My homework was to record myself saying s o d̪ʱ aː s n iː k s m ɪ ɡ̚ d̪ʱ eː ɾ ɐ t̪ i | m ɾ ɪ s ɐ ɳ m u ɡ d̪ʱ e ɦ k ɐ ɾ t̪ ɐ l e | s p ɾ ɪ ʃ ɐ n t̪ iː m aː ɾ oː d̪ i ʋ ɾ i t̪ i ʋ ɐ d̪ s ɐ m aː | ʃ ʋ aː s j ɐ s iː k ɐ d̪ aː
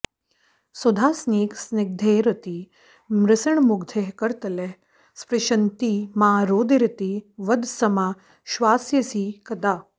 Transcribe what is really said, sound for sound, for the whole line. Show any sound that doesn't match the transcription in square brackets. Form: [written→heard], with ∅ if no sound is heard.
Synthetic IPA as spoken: s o d̪ʱ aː s n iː k s [m→n] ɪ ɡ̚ d̪ʱ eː ɾ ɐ t̪ i | m ɾ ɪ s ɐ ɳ m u ɡ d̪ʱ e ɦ k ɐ ɾ t̪ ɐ l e | s p ɾ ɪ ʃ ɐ n t̪ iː m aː ɾ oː d̪ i [ʋ→∅] ɾ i t̪ i ʋ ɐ d̪ s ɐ m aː | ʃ ʋ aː s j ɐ s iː k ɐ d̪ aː